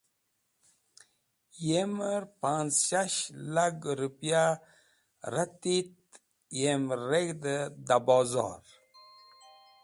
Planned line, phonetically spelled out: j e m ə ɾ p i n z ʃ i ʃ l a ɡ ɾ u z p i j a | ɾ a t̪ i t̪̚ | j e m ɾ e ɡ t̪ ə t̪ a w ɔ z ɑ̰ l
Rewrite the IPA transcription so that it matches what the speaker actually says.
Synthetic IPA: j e m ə ɾ p a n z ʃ a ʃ l a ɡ ɾ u p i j a | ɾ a t̪ i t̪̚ | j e m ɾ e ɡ d̪ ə d̪ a b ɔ z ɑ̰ ɾ